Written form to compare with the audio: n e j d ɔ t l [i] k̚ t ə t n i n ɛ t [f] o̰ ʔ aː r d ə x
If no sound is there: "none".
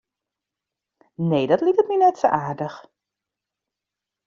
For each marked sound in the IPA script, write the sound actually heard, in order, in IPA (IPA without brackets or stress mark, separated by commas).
i, s